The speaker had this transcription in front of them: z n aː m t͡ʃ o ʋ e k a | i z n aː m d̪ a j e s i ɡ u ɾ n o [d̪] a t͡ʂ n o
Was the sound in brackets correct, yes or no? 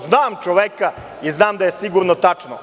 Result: no